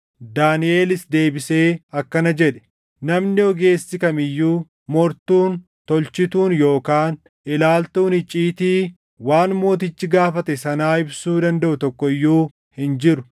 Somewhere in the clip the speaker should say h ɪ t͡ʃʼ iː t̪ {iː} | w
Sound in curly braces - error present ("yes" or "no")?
no